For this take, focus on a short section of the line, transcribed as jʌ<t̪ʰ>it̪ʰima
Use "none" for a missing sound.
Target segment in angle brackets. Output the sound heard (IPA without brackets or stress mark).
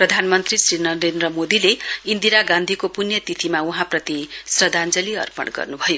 t̪